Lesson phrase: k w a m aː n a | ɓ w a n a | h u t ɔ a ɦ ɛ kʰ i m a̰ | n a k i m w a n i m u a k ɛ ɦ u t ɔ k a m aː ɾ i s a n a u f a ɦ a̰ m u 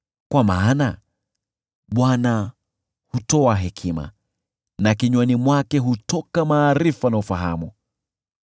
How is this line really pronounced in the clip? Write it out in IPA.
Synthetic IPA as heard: k w a m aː n a | ɓ w a n a | h u t ɔ a ɦ ɛ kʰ i m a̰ | n a k i ɲ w a n i m w a k ɛ ɦ u t ɔ k a m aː ɾ i f a n a u f a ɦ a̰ m u